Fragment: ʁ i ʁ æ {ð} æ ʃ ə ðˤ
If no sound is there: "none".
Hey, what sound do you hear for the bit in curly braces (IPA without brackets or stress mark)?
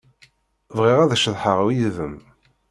ð